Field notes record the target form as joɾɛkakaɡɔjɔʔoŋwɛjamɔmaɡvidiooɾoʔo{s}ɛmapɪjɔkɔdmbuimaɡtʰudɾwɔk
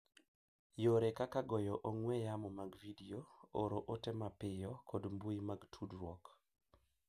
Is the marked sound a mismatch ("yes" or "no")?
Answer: yes